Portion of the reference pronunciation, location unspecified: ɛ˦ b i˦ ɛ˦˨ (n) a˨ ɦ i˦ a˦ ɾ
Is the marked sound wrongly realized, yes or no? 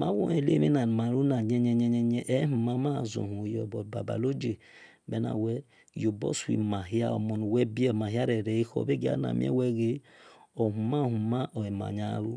yes